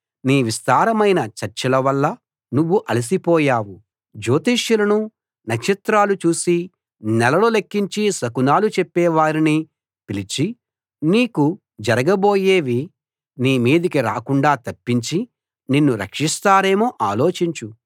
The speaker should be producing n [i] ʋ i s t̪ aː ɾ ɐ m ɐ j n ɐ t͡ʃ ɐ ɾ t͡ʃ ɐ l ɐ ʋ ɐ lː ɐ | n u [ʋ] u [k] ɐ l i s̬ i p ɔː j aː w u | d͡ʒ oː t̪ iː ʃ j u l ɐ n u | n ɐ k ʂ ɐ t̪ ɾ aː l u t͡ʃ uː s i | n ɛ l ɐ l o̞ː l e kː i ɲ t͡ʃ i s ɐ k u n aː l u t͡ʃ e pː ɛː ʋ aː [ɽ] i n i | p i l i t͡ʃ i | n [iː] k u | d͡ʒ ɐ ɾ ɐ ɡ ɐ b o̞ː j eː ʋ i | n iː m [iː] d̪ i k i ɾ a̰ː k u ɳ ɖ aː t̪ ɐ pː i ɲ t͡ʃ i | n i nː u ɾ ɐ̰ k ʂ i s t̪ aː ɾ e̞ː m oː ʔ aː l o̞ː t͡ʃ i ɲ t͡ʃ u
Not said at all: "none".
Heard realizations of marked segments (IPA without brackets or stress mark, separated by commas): iː, ʋː, ʔ, ɾ, iː, iː